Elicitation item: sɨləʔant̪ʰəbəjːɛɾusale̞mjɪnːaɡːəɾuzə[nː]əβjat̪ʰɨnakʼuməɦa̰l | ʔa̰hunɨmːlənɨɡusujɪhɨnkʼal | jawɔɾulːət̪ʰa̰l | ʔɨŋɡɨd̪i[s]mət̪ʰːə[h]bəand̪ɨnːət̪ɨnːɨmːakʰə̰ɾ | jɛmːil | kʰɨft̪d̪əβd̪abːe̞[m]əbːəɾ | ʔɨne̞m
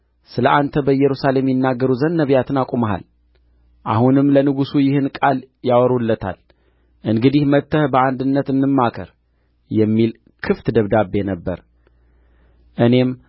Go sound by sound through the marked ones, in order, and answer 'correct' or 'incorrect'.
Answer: correct, incorrect, correct, incorrect

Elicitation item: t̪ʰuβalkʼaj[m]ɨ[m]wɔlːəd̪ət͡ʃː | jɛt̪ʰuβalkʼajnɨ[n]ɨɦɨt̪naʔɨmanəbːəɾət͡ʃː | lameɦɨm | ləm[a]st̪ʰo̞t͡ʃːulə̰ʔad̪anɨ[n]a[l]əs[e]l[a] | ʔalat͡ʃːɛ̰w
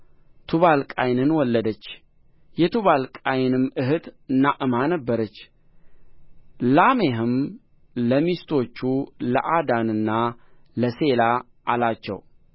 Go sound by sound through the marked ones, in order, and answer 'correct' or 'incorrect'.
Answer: incorrect, incorrect, incorrect, incorrect, incorrect, correct, correct, correct

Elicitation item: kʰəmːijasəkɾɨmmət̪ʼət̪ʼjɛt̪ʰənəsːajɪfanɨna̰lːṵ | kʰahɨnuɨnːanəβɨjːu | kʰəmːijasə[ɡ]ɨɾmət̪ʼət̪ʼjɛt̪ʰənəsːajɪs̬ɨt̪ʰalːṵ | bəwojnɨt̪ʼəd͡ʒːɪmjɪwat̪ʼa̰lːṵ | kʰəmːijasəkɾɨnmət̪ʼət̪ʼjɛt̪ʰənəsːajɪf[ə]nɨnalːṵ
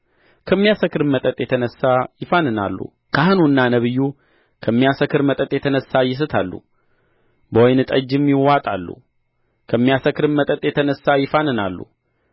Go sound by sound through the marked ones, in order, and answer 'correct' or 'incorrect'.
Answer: incorrect, incorrect

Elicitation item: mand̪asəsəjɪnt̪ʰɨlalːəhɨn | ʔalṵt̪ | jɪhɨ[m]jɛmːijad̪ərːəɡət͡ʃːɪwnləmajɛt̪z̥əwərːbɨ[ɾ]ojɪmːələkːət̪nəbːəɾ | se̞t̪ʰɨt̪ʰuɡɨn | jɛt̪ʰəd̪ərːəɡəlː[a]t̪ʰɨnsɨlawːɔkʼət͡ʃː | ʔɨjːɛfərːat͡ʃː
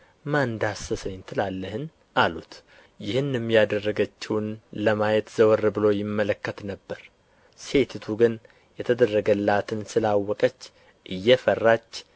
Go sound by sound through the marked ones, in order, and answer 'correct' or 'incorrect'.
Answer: incorrect, incorrect, correct

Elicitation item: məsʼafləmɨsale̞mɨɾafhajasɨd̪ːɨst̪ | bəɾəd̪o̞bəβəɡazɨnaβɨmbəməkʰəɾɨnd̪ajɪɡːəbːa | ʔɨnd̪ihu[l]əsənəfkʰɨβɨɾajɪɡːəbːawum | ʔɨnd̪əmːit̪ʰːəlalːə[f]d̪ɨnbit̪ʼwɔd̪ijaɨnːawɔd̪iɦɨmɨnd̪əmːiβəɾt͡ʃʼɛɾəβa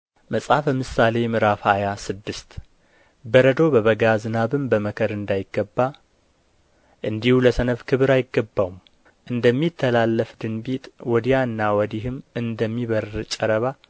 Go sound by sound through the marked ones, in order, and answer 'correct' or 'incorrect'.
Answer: correct, correct

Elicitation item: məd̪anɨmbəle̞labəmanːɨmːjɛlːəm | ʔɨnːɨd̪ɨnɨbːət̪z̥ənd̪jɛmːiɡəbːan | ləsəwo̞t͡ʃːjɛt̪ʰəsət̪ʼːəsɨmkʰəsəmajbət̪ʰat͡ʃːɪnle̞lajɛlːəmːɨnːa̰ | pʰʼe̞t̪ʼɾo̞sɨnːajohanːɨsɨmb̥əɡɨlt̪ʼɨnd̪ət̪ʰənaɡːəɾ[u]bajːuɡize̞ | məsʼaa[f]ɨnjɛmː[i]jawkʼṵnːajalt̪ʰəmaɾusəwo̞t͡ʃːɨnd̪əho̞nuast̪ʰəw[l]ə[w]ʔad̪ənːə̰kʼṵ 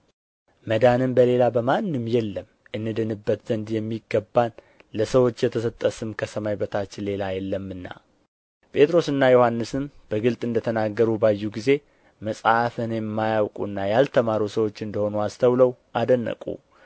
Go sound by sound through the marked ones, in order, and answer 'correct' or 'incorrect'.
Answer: correct, correct, incorrect, correct, correct

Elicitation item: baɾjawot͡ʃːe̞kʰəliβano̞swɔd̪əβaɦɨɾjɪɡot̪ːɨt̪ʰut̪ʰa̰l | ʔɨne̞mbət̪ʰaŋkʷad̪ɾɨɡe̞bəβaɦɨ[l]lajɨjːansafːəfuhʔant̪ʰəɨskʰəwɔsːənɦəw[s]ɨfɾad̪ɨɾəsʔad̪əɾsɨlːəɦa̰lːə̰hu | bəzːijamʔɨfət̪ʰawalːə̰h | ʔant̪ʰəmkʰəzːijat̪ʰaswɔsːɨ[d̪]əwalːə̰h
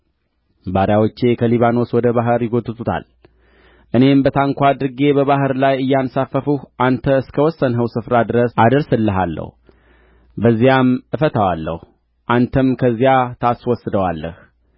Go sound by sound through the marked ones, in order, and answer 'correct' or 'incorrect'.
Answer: incorrect, correct, correct

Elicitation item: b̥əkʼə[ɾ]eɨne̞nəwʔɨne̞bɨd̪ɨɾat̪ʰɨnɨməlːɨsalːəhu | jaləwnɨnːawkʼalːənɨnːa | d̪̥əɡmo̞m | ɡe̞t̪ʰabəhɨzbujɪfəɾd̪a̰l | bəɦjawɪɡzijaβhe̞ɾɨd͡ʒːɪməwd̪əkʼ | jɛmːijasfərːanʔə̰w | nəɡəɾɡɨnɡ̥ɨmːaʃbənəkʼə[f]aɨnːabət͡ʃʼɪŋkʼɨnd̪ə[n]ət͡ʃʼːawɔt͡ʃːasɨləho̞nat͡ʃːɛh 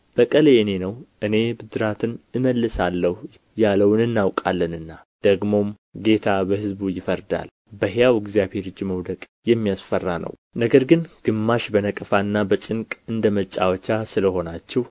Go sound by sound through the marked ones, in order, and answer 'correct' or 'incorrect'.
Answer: incorrect, correct, incorrect

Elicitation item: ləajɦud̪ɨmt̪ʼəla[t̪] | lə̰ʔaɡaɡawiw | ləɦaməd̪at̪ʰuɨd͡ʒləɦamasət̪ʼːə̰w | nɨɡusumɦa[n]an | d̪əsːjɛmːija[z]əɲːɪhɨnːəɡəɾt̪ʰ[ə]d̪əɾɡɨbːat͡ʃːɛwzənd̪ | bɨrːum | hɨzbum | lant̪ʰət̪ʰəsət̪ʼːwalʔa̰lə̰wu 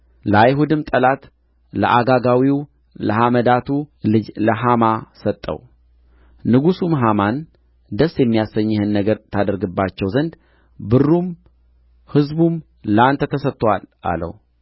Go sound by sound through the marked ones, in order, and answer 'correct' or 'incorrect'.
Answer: correct, incorrect, incorrect, incorrect

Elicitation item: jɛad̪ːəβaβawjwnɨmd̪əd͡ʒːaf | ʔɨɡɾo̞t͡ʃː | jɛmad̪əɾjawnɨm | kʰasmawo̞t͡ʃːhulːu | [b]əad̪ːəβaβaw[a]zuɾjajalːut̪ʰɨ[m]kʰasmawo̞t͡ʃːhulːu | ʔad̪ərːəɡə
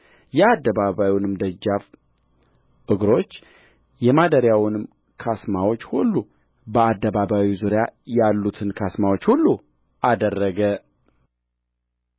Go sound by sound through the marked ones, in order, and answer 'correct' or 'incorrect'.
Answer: correct, incorrect, incorrect

